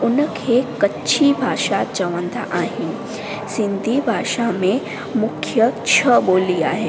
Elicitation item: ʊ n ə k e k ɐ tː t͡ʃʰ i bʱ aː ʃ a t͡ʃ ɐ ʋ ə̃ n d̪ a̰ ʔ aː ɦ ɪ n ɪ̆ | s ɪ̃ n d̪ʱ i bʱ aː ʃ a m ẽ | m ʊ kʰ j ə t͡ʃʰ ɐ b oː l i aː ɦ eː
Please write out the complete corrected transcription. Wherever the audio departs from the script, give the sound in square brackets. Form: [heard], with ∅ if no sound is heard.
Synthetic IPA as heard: ʊ n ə [kʰ] e k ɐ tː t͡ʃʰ i bʱ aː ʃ a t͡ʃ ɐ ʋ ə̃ n d̪ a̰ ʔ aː ɦ ɪ n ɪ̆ | s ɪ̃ n d̪ʱ i bʱ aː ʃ a m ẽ | m ʊ kʰ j ə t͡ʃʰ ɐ b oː l i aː ɦ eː